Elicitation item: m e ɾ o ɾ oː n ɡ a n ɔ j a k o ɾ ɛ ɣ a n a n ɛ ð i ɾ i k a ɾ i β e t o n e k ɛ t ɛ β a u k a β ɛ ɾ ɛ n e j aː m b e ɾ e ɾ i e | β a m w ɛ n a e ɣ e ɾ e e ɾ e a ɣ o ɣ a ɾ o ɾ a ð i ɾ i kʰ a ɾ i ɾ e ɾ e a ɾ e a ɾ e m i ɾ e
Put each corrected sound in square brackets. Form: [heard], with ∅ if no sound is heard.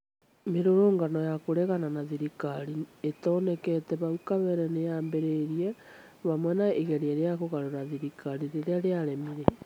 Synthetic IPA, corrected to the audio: m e ɾ o ɾ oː [ŋ] ɡ a n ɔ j a k o ɾ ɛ ɣ a n a n [a] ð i ɾ i k a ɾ i [∅] e t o n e k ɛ t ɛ β a u k a β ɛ ɾ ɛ n e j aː m b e ɾ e ɾ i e | β a m w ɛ n a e ɣ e ɾ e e ɾ e a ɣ o ɣ a ɾ o ɾ a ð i ɾ i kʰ a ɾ i ɾ e ɾ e a ɾ e a ɾ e m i ɾ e